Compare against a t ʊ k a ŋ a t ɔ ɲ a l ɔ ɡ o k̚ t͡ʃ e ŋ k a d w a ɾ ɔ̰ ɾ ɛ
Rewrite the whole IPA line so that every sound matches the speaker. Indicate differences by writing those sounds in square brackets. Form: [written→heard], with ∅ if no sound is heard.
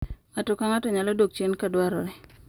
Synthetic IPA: a t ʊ k a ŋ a t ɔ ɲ a l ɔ [ɡ→d] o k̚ t͡ʃ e [ŋ→n] k a d w a ɾ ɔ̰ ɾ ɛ